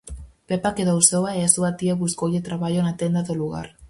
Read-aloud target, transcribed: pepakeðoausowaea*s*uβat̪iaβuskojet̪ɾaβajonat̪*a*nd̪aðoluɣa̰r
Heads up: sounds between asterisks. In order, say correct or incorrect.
correct, incorrect

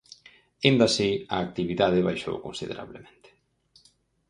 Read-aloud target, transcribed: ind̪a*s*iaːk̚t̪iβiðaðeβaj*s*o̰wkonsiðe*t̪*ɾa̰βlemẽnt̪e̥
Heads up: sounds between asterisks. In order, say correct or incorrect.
correct, incorrect, incorrect

